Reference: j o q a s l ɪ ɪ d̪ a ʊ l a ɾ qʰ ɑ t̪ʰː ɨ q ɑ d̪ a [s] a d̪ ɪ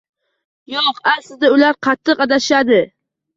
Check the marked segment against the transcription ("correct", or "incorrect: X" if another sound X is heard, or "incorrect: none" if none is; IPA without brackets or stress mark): incorrect: ʃ